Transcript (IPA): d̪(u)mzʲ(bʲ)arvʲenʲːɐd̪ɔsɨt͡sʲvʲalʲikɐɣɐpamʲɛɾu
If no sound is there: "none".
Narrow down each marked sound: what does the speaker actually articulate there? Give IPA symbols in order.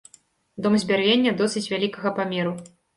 ɔ, bʲ

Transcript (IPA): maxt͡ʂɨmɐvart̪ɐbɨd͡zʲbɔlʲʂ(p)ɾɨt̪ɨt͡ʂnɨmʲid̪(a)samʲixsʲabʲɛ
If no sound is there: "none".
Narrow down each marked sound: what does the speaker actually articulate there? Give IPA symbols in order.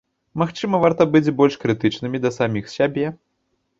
k, ɐ

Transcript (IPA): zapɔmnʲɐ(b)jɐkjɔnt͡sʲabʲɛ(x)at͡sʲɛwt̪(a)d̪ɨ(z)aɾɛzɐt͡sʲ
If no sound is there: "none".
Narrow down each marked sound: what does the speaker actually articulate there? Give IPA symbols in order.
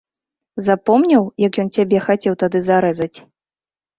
w, x, a, z

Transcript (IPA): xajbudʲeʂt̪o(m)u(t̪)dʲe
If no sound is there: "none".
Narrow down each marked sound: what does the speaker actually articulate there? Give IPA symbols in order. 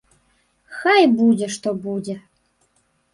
b, none

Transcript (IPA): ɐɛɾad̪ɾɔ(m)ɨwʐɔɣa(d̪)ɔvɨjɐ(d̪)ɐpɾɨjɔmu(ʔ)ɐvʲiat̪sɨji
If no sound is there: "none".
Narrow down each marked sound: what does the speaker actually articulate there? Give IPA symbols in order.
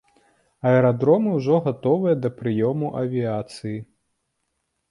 m, t̪, d̪, ʔ

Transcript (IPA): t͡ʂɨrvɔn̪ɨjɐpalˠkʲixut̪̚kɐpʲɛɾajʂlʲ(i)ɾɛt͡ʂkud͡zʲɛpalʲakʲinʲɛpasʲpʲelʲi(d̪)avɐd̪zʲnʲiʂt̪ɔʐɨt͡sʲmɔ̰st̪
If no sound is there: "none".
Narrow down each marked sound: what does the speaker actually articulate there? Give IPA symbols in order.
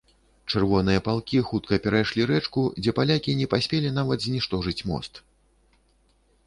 i, n̪

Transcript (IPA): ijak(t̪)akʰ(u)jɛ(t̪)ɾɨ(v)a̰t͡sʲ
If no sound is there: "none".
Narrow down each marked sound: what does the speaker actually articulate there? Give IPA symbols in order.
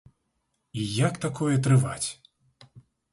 t̪, ɔ, t̪, v

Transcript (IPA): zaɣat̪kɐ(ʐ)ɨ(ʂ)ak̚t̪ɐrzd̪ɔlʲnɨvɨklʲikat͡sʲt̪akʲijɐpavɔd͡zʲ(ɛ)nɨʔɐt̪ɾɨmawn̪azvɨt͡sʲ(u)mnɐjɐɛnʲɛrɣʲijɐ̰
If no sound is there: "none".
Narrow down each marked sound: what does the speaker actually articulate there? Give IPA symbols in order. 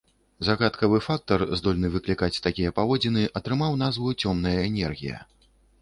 v, f, i, ɔ

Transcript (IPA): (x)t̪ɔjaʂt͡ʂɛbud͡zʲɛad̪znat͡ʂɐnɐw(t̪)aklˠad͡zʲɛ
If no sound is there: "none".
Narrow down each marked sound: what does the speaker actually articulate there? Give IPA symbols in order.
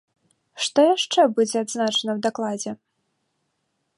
ʂ, d̪

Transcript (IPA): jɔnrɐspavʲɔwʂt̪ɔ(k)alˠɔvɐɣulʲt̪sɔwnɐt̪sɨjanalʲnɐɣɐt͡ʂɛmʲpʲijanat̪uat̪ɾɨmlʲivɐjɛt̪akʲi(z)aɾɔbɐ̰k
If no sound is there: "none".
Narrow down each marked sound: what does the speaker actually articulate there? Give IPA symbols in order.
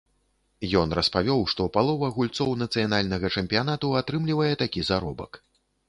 p, z

